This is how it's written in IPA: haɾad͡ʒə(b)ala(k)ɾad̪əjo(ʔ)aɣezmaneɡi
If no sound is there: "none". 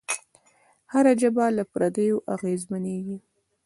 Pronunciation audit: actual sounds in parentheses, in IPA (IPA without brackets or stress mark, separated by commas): b, p, ʔ